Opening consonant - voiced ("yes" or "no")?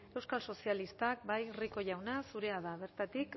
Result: yes